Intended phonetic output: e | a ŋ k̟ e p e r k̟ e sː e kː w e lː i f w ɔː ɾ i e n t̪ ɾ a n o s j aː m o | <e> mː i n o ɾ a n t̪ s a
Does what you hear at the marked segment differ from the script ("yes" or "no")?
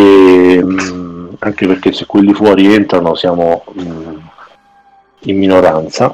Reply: yes